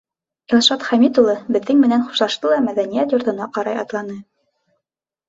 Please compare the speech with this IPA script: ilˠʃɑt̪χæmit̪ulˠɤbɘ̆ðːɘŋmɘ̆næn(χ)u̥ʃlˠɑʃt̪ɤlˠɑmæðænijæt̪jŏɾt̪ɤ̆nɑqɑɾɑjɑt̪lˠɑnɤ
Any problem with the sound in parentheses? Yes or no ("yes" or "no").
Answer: no